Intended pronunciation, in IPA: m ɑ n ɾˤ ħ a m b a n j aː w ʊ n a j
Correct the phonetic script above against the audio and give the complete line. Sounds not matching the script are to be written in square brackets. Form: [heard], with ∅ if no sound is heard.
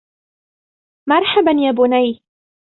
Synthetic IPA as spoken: m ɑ [∅] ɾˤ ħ a [∅] b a n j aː [b] ʊ n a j